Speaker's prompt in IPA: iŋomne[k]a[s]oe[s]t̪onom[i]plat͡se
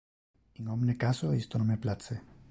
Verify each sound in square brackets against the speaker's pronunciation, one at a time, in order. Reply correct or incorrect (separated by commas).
correct, correct, correct, incorrect